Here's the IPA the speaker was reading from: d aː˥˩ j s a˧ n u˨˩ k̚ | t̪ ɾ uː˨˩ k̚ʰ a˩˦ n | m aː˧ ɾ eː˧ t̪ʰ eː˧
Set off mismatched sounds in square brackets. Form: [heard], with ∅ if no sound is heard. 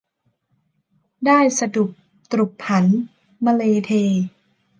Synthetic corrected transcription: d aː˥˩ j s a˧ [d] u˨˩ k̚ | t̪ ɾ [u˨˩] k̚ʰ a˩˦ n | m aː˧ [l] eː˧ t̪ʰ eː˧